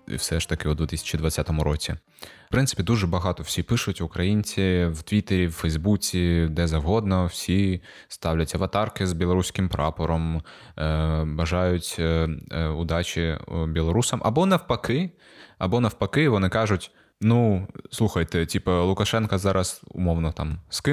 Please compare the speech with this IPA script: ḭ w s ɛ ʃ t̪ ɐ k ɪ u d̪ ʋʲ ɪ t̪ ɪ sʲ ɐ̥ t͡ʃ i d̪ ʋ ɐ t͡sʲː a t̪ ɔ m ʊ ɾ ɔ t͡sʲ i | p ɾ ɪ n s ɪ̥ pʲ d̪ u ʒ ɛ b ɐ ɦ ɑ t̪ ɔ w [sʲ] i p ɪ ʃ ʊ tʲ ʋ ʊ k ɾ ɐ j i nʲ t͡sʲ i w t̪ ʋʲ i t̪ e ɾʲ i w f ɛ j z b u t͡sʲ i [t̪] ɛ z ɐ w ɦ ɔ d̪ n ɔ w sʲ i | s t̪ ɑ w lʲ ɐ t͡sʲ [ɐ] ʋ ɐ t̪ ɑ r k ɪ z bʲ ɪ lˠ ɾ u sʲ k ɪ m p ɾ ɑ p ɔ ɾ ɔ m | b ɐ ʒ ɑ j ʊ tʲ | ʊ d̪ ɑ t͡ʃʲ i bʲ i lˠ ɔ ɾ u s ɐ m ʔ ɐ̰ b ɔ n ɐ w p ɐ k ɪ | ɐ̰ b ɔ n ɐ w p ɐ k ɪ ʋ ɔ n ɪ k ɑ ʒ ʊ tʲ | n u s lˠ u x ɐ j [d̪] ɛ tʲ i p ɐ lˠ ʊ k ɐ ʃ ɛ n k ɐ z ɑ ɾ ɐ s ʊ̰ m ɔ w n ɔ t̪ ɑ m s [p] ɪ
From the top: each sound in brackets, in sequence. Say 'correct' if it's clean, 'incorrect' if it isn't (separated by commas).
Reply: correct, incorrect, correct, incorrect, incorrect